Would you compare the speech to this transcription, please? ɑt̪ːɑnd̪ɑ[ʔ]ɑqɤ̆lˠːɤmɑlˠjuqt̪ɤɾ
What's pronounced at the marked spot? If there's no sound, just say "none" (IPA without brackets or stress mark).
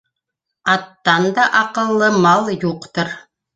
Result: ʔ